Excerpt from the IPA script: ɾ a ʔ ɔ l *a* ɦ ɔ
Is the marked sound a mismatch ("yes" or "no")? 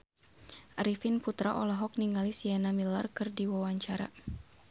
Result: no